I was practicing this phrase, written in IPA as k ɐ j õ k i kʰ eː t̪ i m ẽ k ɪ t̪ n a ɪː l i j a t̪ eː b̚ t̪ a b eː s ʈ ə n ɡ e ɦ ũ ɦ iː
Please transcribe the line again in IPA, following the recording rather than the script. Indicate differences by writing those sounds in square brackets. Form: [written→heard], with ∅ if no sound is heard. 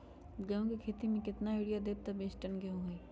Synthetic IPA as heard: [k→ɡ] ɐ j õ k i kʰ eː t̪ i m ẽ k ɪ t̪ n a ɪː [l→ɽ] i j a [t̪→d̪] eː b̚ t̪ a b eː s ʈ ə n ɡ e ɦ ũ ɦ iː